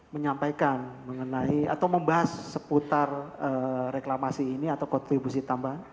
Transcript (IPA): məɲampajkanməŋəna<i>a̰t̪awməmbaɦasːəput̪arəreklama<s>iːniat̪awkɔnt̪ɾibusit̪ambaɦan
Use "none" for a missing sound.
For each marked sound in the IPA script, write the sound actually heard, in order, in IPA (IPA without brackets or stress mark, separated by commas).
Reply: i, s